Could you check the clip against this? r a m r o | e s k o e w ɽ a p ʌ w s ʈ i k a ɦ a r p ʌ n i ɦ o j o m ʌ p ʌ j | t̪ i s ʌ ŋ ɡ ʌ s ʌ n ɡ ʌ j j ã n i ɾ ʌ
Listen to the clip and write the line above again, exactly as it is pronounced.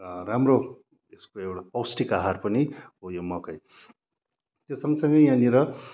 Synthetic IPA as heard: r a m r o | e s k o e w ɽ a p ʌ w s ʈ i k a ɦ a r p ʌ n i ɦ o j o m ʌ k ʌ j | t̪ e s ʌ ŋ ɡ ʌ s ʌ ŋ ɡ ʌ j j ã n i ɾ ʌ